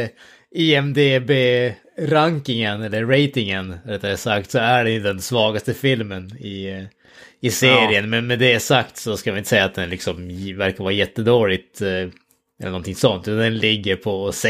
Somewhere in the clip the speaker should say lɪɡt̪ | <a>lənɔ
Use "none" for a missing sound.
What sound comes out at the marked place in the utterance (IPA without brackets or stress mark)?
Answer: ɛ